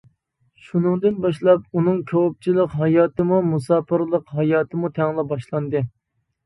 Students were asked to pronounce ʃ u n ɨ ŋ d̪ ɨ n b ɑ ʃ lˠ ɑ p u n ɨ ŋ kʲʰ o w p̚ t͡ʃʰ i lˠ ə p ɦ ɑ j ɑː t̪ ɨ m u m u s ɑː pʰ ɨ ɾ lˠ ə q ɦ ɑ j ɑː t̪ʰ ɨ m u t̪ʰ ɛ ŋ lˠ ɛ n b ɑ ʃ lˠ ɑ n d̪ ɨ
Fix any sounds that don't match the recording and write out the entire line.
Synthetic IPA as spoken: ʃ u n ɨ ŋ d̪ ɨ n b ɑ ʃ lˠ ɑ p u n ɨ ŋ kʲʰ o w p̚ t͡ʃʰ i lˠ ə q ɦ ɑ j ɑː t̪ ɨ m u m u s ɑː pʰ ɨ ɾ lˠ ə q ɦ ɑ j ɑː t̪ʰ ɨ m u t̪ʰ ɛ ŋ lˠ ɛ b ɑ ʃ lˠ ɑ n d̪ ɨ